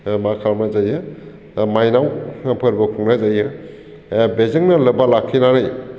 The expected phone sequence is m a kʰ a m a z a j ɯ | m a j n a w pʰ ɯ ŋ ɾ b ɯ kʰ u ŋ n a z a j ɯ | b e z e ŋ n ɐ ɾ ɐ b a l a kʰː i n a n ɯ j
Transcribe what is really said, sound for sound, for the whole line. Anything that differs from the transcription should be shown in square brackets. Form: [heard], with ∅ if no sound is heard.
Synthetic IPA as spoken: m a kʰ a m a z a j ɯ | m a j n a w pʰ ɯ [∅] ɾ b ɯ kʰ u ŋ n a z a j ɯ | b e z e ŋ n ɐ [l] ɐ b a l a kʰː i n a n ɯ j